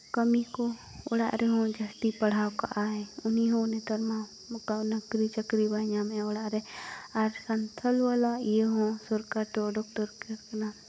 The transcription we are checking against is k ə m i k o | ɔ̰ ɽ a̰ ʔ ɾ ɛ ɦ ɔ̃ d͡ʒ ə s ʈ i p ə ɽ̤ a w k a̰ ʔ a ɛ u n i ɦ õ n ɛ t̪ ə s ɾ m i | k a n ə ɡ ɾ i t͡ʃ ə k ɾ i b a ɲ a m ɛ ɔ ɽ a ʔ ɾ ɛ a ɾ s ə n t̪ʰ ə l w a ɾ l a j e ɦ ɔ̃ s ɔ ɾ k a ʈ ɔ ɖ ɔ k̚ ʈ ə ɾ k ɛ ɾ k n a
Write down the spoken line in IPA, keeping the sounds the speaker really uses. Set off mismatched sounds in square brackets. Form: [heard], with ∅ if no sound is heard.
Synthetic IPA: k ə m i k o | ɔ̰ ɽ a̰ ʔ ɾ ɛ ɦ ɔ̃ d͡ʒ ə s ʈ i p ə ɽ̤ a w k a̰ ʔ a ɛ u n i ɦ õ n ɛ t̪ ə [∅] ɾ m [a] | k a n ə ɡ ɾ i t͡ʃ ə k ɾ i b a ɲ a m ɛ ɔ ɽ a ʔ ɾ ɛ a ɾ s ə n t̪ʰ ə l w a [∅] l a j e ɦ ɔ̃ s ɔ ɾ k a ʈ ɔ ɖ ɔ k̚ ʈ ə ɾ k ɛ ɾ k n a